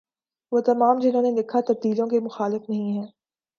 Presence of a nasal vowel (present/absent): present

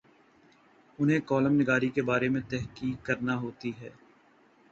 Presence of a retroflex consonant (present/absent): absent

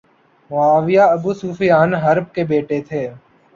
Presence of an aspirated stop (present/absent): present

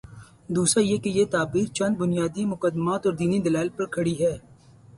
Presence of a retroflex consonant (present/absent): present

